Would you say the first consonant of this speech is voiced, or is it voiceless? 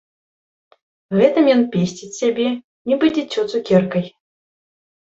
voiced